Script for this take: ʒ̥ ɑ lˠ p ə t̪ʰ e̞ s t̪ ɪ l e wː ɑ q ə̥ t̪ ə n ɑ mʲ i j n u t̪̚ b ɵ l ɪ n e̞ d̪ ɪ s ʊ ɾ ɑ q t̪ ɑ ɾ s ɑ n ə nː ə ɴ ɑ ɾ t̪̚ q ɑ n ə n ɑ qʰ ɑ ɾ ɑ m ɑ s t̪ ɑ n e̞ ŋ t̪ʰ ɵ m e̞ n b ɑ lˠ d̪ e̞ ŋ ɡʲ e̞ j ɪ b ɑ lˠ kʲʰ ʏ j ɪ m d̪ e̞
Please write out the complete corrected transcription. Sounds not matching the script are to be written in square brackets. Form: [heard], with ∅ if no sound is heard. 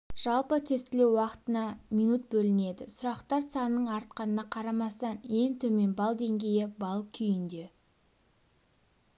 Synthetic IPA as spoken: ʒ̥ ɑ lˠ p ə t̪ʰ e̞ s t̪ ɪ l e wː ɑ q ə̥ t̪ ə n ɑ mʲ i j n u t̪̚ b ɵ l ɪ n e̞ d̪ ɪ s ʊ ɾ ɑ q t̪ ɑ ɾ s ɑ n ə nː ə ɴ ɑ ɾ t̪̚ q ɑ n ə n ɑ qʰ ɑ ɾ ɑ m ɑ s t̪ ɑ n e̞ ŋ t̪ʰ ɵ m e̞ n b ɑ lˠ d̪ e̞ ŋ ɡʲ e̞ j ɪ b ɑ lˠ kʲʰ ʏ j ɪ [n] d̪ e̞

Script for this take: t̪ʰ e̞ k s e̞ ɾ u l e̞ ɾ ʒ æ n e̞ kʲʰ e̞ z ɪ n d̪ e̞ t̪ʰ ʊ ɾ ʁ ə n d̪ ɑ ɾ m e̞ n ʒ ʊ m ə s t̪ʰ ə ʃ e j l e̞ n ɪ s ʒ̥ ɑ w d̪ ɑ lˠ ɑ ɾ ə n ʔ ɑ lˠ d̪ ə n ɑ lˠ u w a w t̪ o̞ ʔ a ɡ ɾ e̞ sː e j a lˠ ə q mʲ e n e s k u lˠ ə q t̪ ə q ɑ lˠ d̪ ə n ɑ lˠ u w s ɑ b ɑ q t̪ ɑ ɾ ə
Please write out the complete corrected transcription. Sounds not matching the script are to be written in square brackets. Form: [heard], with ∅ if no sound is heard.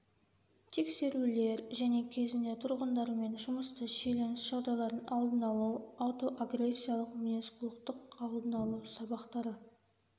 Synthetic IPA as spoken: t̪ʰ e̞ k s e̞ ɾ u l e̞ ɾ ʒ æ n e̞ kʲʰ e̞ z ɪ n d̪ e̞ t̪ʰ ʊ ɾ ʁ ə n d̪ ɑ ɾ m e̞ n ʒ ʊ m ə s [t̪] ə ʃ e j l e̞ n ɪ s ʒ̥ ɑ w d̪ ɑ lˠ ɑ ɾ ə n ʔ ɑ lˠ d̪ ə n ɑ lˠ u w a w t̪ o̞ ʔ a ɡ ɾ e̞ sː [i] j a lˠ ə q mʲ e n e s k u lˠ ə q t̪ ə q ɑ lˠ d̪ ə n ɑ lˠ u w s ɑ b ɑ q t̪ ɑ ɾ ə

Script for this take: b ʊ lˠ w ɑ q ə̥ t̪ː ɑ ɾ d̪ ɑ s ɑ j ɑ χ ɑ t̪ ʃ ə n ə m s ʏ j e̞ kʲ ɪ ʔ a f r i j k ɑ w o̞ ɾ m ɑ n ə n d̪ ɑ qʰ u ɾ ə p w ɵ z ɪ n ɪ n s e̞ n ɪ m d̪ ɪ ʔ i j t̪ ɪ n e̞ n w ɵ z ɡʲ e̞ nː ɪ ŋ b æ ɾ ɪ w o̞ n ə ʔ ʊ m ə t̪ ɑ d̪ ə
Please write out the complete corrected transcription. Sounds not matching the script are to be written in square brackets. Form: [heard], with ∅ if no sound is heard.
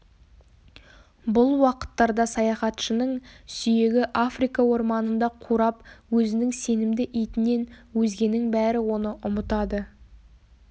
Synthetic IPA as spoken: b ʊ lˠ w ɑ q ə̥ t̪ː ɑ ɾ d̪ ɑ s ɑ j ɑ χ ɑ t̪ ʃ ə n ə [ɴ] s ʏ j e̞ [ɡʲ] ɪ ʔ a f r i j k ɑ w o̞ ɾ m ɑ n ə n d̪ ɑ qʰ u ɾ [ɑ] p w ɵ z ɪ n ɪ [ŋ] s e̞ n ɪ m d̪ ɪ ʔ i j t̪ ɪ n e̞ n w ɵ z ɡʲ e̞ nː ɪ ŋ b æ ɾ ɪ w o̞ n ə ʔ ʊ m ə t̪ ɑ d̪ ə

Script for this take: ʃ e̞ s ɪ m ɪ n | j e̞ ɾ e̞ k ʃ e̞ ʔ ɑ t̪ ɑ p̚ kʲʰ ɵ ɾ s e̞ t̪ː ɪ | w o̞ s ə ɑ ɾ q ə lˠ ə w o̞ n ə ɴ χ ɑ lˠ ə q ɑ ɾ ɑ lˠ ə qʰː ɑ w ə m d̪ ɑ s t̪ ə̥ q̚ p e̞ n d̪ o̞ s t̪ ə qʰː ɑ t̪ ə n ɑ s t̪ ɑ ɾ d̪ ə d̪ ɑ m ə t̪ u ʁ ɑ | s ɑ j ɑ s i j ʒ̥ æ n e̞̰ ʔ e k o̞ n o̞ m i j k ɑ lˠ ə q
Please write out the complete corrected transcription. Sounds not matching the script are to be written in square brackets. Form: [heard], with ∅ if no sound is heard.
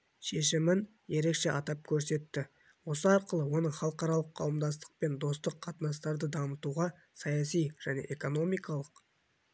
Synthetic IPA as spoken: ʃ e̞ [ʃ] ɪ m ɪ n | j e̞ ɾ e̞ k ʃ e̞ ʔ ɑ t̪ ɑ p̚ kʲʰ ɵ ɾ s e̞ t̪ː ɪ | w o̞ s ə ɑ ɾ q ə lˠ ə w o̞ n ə ɴ χ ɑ lˠ ə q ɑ ɾ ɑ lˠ ə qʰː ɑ w ə m d̪ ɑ s t̪ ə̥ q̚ p e̞ n d̪ o̞ s t̪ ə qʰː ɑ t̪ ə n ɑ s t̪ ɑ ɾ d̪ ə d̪ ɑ m ə t̪ u ʁ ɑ | s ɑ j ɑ s i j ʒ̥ æ n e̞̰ ʔ e k o̞ n o̞ m i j k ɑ lˠ ə q

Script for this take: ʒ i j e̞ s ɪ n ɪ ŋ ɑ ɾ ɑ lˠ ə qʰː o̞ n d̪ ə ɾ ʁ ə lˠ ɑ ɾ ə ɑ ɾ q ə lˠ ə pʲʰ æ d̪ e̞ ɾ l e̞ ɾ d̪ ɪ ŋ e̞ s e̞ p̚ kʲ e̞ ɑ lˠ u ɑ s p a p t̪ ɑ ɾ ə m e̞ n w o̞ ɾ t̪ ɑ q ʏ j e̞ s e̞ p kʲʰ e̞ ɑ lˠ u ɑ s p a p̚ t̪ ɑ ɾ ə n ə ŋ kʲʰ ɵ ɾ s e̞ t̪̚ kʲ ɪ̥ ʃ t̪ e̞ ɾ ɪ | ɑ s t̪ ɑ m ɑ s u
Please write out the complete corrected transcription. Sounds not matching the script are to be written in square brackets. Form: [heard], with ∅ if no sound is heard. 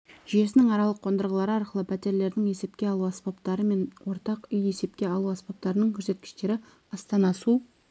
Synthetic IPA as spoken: ʒ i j e̞ s ɪ n ɪ ŋ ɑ ɾ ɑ lˠ ə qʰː o̞ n d̪ ə ɾ ʁ ə lˠ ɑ ɾ ə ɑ ɾ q ə lˠ ə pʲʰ æ [t̪] e̞ ɾ l e̞ ɾ d̪ ɪ ŋ e̞ s e̞ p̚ kʲ e̞ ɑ lˠ u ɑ s p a p t̪ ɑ ɾ ə m e̞ n w o̞ ɾ t̪ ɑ q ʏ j e̞ s e̞ p [kʲ] e̞ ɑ lˠ u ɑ s p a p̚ t̪ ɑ ɾ ə n ə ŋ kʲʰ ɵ ɾ s e̞ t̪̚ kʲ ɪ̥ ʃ t̪ e̞ ɾ ɪ | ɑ s t̪ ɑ [n] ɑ s u

